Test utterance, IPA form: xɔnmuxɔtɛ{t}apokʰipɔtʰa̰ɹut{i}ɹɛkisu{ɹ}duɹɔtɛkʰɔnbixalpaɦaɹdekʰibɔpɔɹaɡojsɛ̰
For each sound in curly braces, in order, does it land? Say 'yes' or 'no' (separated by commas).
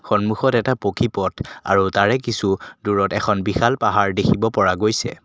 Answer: yes, no, no